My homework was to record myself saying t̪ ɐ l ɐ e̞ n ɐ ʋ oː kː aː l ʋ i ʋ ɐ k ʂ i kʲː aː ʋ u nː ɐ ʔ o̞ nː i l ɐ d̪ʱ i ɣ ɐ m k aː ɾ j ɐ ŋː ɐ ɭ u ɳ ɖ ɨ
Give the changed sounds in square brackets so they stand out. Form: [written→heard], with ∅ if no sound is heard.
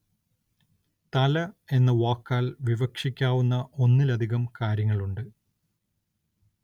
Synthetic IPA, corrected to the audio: t̪ ɐ l ɐ e̞ [n→nː] ɐ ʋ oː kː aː l ʋ i ʋ ɐ k ʂ i kʲː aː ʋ u nː ɐ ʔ o̞ nː i l ɐ d̪ʱ i ɣ ɐ m k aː ɾ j ɐ ŋː ɐ ɭ u ɳ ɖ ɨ